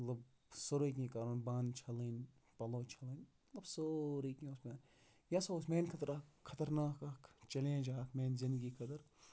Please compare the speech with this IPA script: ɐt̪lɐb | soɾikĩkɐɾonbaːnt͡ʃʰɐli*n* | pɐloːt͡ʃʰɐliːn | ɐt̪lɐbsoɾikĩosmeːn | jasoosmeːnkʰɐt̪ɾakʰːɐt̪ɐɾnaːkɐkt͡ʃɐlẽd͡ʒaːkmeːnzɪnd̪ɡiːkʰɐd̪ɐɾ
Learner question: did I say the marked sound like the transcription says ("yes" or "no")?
yes